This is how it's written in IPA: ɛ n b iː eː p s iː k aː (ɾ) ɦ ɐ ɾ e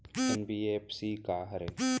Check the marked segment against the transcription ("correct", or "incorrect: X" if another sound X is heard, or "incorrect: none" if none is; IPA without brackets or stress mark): incorrect: none